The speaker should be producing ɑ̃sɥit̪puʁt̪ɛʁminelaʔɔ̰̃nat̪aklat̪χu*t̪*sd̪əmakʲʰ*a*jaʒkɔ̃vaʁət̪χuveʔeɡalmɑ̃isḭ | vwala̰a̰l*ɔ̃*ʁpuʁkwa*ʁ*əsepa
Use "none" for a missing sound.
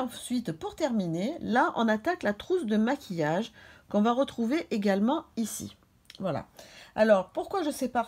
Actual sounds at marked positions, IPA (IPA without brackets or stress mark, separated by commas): none, i, ɔ, ʒ